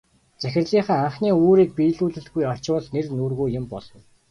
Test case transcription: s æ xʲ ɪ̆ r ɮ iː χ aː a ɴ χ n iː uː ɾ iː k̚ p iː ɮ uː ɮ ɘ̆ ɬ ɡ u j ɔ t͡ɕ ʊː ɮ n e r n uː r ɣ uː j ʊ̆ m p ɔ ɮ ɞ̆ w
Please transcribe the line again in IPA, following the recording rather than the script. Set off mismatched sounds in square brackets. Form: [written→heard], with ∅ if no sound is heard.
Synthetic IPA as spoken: [s→t͡s] æ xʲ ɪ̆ r ɮ iː χ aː a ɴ χ n iː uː ɾ iː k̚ p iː ɮ uː ɮ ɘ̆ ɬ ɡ u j ɔ t͡ɕ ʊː ɮ n e r n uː r ɣ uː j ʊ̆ m p ɔ ɮ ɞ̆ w